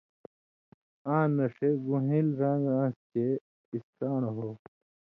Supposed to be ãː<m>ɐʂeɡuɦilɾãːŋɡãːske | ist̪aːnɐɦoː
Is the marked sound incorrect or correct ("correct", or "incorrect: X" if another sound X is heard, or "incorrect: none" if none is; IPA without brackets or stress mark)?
incorrect: n